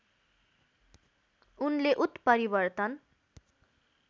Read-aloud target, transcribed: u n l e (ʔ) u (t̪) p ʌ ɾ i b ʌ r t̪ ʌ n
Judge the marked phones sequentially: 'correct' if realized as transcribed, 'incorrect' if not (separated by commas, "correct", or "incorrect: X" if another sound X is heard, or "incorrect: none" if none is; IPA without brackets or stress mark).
correct, correct